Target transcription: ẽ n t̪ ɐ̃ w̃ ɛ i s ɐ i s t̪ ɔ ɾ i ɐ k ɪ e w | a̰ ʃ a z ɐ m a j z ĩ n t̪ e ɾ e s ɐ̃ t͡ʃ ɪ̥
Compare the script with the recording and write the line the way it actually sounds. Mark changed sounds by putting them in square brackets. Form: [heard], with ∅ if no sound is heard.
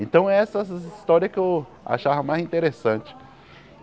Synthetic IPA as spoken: ẽ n t̪ ɐ̃ w̃ ɛ [ɛ] s ɐ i s t̪ ɔ ɾ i ɐ k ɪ e w | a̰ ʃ a [v] ɐ m a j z ĩ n t̪ e ɾ e s ɐ̃ t͡ʃ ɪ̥